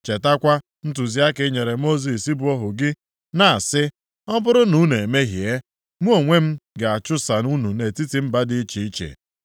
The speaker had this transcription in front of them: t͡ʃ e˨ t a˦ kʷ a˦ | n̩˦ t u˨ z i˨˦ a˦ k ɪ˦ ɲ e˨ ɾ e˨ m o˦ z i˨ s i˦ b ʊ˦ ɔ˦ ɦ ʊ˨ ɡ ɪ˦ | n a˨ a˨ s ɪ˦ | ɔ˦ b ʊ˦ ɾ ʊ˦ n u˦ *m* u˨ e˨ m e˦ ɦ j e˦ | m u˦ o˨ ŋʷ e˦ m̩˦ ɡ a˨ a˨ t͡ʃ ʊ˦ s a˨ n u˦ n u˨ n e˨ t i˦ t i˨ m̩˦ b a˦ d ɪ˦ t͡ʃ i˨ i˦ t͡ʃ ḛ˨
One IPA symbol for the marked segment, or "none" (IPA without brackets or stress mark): n